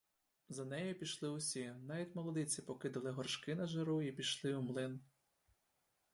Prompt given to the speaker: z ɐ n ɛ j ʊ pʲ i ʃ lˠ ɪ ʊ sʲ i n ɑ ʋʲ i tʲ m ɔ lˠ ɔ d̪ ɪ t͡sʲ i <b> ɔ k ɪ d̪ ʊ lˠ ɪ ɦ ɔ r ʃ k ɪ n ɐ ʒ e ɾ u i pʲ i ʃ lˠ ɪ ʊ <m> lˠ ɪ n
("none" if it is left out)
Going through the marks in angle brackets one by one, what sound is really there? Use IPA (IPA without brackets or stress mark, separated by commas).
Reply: p, m